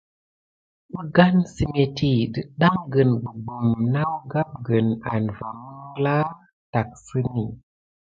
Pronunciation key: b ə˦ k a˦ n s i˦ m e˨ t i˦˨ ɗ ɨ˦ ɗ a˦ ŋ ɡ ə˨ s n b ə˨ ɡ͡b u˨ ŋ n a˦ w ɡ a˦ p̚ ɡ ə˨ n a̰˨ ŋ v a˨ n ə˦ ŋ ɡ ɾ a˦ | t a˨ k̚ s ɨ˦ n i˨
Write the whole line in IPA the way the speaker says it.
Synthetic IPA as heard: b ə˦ ɡ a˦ n s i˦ m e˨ t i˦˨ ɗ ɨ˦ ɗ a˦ ŋ ɡ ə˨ n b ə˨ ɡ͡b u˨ m n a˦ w ɡ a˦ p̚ ɡ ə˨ n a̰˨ n v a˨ m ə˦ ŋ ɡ l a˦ | t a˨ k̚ s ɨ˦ n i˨